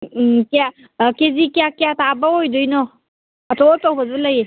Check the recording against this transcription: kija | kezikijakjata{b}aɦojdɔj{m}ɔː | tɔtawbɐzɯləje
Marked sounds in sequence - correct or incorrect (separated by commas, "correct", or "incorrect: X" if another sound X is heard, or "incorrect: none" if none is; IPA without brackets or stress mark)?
correct, incorrect: n